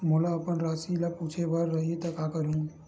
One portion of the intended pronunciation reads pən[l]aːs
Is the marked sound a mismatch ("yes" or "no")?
yes